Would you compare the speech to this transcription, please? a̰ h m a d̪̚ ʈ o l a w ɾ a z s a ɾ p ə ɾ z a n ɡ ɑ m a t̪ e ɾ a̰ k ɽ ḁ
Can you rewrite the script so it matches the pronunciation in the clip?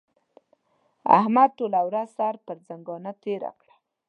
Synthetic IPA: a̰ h m a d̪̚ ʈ o l a w ɾ a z s a ɾ p ə ɾ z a ŋ ɡ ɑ n a t̪ e ɾ a̰ k ɽ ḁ